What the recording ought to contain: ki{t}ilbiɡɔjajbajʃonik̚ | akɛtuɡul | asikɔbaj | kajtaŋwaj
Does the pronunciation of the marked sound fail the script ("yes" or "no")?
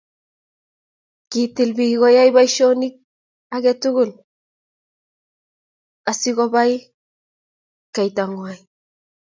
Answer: no